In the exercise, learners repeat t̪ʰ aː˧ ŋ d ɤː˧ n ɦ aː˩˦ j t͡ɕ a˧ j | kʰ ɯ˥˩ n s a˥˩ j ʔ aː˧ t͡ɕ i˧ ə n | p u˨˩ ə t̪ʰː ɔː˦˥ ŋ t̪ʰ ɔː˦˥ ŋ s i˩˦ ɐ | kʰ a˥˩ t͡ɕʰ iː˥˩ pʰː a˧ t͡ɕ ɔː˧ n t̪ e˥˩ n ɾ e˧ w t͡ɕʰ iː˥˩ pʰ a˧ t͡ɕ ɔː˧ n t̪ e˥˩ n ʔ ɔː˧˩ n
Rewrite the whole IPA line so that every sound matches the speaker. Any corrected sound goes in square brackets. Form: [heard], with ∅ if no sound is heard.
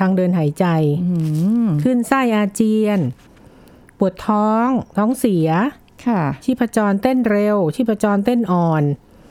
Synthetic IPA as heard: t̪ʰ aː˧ ŋ d ɤː˧ n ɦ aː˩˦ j t͡ɕ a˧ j | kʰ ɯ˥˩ n s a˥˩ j ʔ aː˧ t͡ɕ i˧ ə n | p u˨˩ ə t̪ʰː ɔː˦˥ ŋ t̪ʰ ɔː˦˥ ŋ s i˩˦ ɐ | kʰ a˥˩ t͡ɕʰ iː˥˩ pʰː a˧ t͡ɕ ɔː˧ n t̪ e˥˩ n ɾ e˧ w t͡ɕʰ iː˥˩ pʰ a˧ t͡ɕ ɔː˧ n t̪ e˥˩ n ʔ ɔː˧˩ n